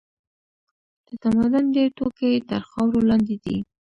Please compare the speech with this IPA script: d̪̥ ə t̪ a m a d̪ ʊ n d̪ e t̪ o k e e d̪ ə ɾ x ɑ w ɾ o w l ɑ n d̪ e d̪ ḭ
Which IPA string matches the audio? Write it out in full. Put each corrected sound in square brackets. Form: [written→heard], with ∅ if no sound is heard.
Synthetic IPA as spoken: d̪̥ ə t̪ a m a d̪ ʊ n d̪ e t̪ o k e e [d̪→t̪] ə ɾ x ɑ w ɾ o [w→∅] l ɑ n d̪ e d̪ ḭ